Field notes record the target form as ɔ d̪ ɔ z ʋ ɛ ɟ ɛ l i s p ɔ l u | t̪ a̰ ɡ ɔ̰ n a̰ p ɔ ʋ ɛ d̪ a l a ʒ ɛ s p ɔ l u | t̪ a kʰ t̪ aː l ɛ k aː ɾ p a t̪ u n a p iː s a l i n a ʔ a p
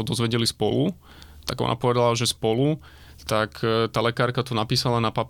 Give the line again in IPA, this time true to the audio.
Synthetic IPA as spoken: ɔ d̪ ɔ z ʋ ɛ ɟ ɛ l i s p ɔ l u | t̪ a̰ ɡ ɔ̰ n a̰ p ɔ ʋ ɛ d̪ a l a ʒ ɛ s p ɔ l u | t̪ a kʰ t̪ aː l ɛ k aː ɾ k a t̪ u n a p iː s a l a n a p a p